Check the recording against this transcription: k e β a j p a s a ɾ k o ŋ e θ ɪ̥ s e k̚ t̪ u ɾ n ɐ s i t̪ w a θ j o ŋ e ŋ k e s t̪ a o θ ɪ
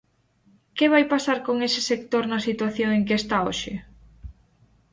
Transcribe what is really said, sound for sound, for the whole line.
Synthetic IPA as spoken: k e β a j p a s a ɾ k o ŋ e s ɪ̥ s e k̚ t̪ o ɾ n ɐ s i t̪ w a θ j o ŋ e ŋ k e s t̪ a o ʃ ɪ